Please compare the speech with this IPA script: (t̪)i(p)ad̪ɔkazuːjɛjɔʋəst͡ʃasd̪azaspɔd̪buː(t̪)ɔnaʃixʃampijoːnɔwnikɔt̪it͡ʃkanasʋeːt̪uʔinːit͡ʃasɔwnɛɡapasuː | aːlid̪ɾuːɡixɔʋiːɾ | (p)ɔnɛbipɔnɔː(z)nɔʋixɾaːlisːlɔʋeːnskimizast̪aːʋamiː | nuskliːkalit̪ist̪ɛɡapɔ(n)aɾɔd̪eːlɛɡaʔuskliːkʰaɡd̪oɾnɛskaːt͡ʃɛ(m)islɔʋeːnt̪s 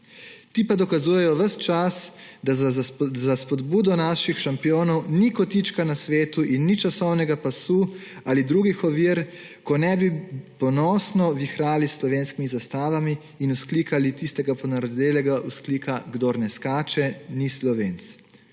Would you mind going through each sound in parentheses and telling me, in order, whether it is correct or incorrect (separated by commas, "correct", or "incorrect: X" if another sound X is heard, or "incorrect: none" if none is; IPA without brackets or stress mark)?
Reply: correct, correct, incorrect: d̪, incorrect: k, incorrect: s, correct, incorrect: n